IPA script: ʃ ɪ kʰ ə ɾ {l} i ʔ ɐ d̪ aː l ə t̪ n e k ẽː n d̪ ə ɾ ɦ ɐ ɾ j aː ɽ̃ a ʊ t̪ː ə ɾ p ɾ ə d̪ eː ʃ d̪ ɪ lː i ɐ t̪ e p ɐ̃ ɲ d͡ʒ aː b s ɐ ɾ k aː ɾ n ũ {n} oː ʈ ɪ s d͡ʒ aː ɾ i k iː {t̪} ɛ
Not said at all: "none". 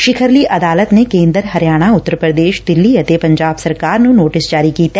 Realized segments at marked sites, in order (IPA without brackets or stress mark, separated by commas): l, n, t̪